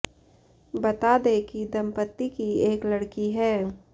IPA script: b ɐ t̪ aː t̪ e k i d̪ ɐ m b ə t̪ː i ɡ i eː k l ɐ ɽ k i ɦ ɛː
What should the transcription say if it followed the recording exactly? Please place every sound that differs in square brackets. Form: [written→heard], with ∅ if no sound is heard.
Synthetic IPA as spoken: b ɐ t̪ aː [t̪→d̪] e k i d̪ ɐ m [b→p] ə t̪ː i [ɡ→k] i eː k l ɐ ɽ k i ɦ ɛː